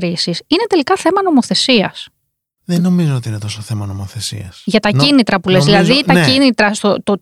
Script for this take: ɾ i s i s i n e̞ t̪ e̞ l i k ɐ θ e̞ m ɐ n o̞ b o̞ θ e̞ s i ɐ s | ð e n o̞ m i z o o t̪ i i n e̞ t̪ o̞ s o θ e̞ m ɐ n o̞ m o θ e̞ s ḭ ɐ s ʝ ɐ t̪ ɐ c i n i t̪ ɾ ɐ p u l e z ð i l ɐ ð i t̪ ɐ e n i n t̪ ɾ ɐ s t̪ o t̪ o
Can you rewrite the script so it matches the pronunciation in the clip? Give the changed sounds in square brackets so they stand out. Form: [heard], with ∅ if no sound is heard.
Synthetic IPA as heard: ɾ i s i s i n e̞ t̪ e̞ l i k ɐ θ e̞ m ɐ n o̞ [m] o̞ θ e̞ s i ɐ s | ð e n o̞ m i z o o t̪ i i n e̞ t̪ o̞ s o θ e̞ m ɐ n o̞ m o θ e̞ s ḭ ɐ s ʝ ɐ t̪ ɐ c i n i t̪ ɾ ɐ p u l e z ð i l ɐ ð i t̪ ɐ [i] n i [∅] t̪ ɾ ɐ s t̪ o t̪ o